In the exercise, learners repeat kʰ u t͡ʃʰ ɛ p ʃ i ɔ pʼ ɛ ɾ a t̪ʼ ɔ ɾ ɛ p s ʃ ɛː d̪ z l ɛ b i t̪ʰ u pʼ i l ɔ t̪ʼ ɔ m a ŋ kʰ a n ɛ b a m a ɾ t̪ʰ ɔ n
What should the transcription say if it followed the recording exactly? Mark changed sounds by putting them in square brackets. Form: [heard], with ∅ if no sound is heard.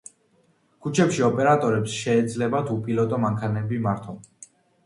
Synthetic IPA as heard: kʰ u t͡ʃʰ ɛ p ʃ i ɔ pʼ ɛ ɾ a t̪ʼ ɔ ɾ ɛ p s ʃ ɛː d̪ z l ɛ b [a] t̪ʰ u pʼ i l ɔ t̪ʼ ɔ m a ŋ kʰ a n ɛ b [i] m a ɾ t̪ʰ ɔ n

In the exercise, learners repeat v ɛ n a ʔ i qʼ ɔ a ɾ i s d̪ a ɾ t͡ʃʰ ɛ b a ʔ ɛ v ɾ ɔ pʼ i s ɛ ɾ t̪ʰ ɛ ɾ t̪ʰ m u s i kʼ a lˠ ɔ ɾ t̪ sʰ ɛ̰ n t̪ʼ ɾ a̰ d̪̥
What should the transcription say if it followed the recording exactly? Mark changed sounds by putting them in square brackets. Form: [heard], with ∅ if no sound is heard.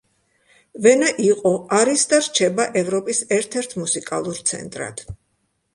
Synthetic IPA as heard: v ɛ n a ʔ i qʼ ɔ a ɾ i s d̪ a ɾ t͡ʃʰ ɛ b a ʔ ɛ v ɾ ɔ pʼ i s ɛ ɾ t̪ʰ ɛ ɾ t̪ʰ m u s i kʼ a lˠ [u] ɾ t̪ sʰ ɛ̰ n t̪ʼ ɾ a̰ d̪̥

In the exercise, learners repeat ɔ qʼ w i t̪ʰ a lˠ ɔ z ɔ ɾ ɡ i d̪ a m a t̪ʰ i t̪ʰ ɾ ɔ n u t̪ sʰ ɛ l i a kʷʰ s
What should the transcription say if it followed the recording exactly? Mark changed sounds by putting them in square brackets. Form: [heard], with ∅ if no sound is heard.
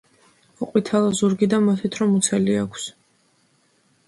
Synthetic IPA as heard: ɔ qʼ w i t̪ʰ a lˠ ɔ z [u] ɾ ɡ i d̪ a m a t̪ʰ i t̪ʰ ɾ ɔ [m] u t̪ sʰ ɛ l i a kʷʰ s

